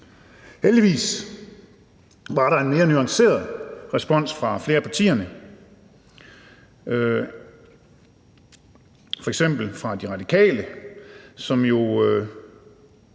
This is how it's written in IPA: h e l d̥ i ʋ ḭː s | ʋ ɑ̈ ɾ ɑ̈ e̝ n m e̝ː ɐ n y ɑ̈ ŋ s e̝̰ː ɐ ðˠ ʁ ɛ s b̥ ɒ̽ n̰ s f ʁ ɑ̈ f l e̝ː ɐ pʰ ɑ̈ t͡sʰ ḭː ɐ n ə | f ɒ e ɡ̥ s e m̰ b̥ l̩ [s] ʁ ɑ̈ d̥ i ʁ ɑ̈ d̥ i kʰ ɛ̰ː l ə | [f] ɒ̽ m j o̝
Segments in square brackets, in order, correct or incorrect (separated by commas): incorrect, incorrect